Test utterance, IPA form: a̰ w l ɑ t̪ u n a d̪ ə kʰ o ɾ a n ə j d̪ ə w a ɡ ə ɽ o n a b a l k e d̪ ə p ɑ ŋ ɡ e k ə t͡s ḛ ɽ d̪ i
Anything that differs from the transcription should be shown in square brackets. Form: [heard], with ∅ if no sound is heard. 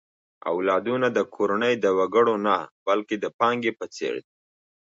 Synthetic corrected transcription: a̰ w l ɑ [d̪] u n a d̪ ə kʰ o ɾ a n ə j d̪ ə w a ɡ ə ɽ o n a b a l k e d̪ ə p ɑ ŋ ɡ e [p] ə t͡s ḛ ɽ d̪ i